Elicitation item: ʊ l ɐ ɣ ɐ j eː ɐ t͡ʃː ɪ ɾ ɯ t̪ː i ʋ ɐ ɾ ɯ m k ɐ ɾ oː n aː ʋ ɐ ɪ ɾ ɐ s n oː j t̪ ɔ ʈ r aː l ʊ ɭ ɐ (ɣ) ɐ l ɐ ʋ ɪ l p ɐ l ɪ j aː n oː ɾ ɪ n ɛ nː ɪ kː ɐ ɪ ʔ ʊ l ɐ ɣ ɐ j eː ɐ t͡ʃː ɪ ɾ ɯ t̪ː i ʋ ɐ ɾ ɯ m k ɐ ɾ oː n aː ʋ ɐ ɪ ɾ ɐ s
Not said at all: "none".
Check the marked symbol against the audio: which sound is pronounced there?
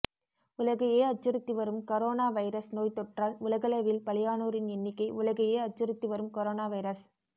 ɣ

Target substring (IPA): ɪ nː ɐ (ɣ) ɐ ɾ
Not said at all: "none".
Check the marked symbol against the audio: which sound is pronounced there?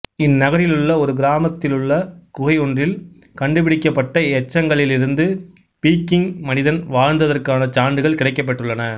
ɣ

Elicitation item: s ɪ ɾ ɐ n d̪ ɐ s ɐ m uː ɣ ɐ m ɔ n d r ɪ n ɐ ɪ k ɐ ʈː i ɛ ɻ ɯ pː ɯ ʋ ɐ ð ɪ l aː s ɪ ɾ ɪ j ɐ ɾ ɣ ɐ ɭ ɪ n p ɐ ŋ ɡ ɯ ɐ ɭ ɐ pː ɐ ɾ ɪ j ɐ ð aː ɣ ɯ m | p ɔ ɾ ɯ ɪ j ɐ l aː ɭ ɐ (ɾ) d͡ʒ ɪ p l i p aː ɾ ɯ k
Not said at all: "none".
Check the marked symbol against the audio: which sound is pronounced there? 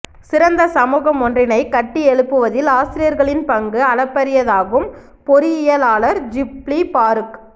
ɾ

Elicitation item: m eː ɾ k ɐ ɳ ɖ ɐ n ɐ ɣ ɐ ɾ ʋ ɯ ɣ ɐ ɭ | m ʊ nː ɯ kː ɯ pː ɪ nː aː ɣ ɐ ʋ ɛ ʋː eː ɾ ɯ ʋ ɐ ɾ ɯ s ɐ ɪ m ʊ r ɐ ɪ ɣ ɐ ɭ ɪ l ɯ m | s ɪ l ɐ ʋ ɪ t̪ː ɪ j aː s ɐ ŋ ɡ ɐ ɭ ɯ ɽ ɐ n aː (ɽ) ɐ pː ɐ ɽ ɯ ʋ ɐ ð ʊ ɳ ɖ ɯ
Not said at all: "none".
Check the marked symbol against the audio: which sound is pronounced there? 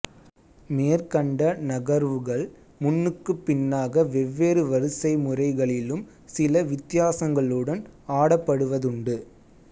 ɽ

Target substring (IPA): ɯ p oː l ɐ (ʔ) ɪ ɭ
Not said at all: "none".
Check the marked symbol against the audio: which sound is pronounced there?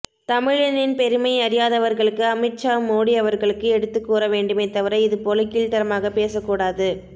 k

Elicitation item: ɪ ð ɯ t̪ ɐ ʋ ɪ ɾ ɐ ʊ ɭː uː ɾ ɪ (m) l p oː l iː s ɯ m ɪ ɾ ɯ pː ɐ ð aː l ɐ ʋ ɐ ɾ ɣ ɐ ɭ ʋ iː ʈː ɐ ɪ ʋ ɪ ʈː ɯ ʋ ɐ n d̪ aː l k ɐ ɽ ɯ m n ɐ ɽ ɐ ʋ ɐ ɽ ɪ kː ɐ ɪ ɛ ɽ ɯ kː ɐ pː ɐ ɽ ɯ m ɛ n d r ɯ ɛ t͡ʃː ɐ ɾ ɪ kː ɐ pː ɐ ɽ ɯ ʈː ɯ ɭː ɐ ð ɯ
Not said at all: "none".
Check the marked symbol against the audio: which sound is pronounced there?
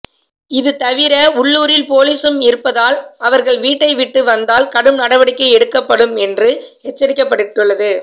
none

